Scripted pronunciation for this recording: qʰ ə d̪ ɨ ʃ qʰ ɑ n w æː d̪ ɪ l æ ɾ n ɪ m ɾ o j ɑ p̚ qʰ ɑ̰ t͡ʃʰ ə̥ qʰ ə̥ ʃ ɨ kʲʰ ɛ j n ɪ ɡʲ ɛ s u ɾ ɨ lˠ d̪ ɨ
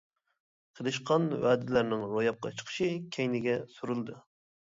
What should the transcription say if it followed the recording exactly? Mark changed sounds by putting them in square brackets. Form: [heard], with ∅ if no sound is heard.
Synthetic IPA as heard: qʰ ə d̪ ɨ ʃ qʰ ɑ n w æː d̪ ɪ l æ ɾ n ɪ [ŋ] ɾ o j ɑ p̚ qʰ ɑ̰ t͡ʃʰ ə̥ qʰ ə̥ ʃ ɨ kʲʰ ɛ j n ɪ ɡʲ ɛ s u ɾ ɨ lˠ d̪ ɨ